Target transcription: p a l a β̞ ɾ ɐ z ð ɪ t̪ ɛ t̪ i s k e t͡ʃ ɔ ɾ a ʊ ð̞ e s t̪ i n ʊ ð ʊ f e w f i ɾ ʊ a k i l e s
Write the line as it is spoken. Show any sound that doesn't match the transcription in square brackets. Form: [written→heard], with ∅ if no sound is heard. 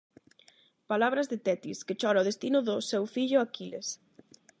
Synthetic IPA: p a l a β̞ ɾ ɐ z ð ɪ t̪ ɛ t̪ i s k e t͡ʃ ɔ ɾ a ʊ ð̞ e s t̪ i n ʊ ð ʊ [f→s] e w f i [ɾ→ʎ] ʊ a k i l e s

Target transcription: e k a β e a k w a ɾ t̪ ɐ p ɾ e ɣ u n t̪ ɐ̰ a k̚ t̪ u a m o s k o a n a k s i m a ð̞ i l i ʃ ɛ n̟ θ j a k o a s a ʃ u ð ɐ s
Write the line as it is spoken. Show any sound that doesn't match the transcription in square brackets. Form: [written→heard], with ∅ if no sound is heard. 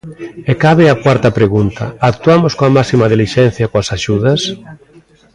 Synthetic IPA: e k a β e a k w a ɾ t̪ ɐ p ɾ e ɣ u n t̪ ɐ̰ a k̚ t̪ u a m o s k o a [n→m] a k s i m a ð̞ i l i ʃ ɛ n̟ θ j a k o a s a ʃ u ð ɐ s

